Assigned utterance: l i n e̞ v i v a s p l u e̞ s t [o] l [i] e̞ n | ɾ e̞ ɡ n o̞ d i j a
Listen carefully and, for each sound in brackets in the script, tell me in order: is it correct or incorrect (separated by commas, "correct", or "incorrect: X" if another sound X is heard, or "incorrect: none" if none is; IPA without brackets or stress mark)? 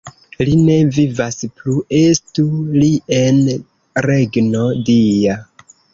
incorrect: u, correct